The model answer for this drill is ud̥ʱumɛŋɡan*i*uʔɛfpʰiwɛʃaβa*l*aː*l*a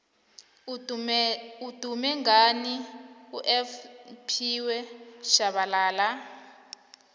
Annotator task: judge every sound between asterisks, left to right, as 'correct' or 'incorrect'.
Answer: correct, correct, correct

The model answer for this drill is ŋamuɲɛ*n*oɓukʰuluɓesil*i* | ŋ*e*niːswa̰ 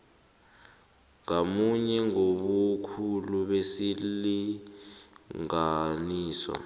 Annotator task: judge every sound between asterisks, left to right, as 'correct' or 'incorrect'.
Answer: incorrect: ŋ, correct, incorrect: a

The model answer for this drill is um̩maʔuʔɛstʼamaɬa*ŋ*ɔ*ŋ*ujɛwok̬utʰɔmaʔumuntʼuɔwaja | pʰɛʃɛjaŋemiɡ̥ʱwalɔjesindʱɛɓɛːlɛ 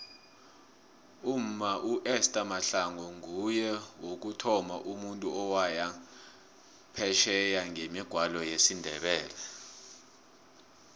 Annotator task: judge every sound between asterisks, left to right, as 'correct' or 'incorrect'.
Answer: correct, correct

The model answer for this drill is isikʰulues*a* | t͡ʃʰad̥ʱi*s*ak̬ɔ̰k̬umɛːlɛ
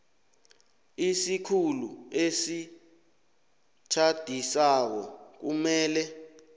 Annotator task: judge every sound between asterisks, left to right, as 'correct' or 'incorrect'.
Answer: incorrect: i, correct

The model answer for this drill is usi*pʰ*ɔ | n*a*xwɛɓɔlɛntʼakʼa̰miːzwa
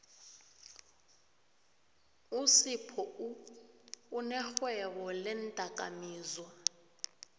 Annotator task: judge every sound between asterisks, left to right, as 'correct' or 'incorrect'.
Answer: correct, incorrect: ɛ

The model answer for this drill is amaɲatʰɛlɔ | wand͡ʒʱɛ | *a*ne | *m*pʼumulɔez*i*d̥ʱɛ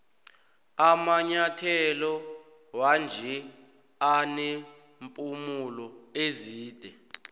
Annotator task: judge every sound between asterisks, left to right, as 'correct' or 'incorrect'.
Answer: correct, correct, incorrect: iː

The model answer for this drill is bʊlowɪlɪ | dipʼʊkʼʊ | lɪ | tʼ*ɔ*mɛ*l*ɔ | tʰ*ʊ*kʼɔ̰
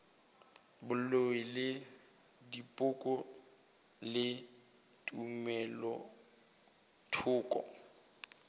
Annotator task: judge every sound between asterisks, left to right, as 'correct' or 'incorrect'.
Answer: incorrect: u, correct, incorrect: ʊː

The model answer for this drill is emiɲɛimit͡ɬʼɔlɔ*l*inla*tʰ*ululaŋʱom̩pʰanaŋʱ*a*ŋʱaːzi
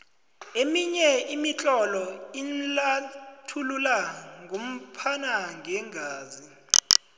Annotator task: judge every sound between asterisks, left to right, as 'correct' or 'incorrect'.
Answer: incorrect: none, correct, incorrect: ɛ

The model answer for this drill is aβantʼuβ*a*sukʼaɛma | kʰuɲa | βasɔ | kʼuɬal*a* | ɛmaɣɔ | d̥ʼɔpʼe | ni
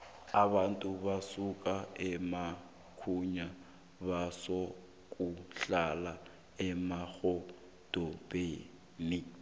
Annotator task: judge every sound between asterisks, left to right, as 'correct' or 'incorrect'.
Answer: correct, correct

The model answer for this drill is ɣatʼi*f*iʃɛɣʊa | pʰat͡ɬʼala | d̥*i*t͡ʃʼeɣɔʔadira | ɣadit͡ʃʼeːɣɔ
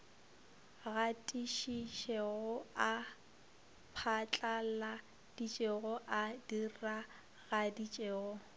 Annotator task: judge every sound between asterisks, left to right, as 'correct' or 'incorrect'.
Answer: incorrect: ʃ, correct

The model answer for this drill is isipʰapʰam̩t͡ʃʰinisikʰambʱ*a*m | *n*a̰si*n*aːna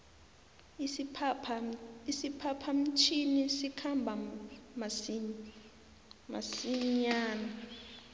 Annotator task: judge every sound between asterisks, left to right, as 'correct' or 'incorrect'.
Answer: correct, incorrect: m, incorrect: ɲ

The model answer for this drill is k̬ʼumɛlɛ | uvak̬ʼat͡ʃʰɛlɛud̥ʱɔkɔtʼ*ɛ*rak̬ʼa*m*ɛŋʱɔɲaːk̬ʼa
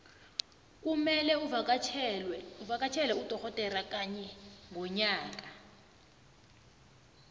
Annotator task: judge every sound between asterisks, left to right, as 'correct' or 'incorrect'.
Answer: correct, incorrect: ɲ

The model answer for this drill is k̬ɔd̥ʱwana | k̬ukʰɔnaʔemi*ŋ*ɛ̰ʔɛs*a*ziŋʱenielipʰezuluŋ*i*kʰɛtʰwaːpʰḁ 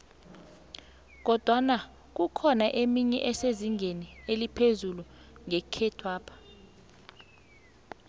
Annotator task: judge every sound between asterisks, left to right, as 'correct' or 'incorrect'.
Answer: incorrect: ɲ, incorrect: e, incorrect: ɛ

